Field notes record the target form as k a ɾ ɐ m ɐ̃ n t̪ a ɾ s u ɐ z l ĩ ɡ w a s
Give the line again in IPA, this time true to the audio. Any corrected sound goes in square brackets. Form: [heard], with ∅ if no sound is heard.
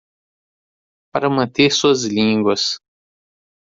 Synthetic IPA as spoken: [p] a ɾ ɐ m ɐ̃ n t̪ [e] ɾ s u ɐ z l ĩ ɡ w [ɐ] s